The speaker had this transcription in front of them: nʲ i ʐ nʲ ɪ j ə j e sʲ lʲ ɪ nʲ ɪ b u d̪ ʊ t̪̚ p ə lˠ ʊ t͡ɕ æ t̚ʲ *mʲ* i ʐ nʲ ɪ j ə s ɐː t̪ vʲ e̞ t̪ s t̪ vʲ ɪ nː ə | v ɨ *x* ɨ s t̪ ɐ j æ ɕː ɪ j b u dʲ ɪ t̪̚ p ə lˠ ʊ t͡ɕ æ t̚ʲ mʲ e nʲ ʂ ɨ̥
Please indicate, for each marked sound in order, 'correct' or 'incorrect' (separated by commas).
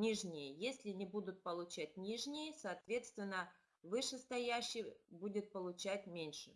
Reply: incorrect, incorrect